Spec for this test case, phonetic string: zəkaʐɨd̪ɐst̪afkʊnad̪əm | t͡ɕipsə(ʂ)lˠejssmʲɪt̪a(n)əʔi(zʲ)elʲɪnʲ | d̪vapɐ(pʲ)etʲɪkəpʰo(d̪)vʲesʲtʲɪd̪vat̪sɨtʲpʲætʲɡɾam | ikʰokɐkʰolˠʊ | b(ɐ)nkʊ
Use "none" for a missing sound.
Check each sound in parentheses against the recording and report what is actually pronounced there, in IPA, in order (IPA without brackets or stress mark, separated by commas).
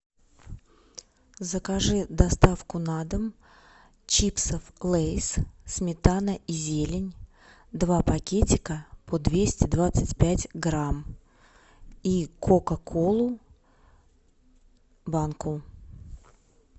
f, n, zʲ, kʲ, d̪, a